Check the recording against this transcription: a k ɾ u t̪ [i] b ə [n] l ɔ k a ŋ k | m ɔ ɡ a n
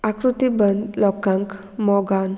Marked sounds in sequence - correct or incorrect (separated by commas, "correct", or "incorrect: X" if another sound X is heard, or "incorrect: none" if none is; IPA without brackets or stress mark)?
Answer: correct, correct